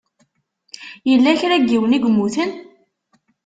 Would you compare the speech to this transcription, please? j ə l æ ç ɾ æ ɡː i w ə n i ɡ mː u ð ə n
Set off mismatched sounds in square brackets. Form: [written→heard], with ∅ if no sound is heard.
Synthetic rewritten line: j ə [l→lː] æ ç ɾ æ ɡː i w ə n i ɡ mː u [ð→θ] ə n